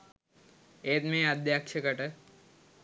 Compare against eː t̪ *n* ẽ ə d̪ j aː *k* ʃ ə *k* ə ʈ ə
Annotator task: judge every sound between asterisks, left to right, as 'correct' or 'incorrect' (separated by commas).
incorrect, correct, correct